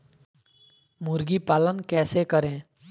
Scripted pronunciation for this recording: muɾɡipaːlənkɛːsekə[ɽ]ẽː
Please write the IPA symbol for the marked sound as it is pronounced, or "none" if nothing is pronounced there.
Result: ɾ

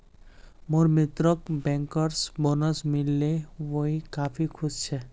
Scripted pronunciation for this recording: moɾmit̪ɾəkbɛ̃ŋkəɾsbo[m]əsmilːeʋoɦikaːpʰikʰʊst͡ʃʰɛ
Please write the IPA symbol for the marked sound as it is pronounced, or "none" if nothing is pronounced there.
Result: n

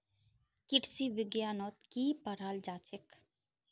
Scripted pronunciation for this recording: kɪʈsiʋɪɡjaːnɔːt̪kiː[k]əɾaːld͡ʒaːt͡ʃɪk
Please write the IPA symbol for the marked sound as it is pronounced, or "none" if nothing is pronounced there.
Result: p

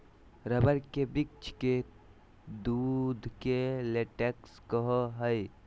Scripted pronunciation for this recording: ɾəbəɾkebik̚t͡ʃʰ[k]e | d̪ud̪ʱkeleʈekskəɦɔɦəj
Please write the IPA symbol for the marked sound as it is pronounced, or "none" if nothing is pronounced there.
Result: k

